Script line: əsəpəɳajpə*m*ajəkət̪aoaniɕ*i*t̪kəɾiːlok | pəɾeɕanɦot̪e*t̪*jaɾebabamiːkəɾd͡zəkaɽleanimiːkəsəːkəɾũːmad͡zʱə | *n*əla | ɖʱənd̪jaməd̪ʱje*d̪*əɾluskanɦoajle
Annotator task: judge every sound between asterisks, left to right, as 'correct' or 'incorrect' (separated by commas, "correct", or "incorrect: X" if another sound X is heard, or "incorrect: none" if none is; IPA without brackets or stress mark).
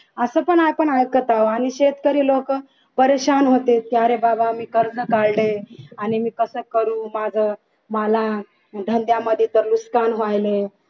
incorrect: ɳ, incorrect: e, correct, incorrect: m, incorrect: t̪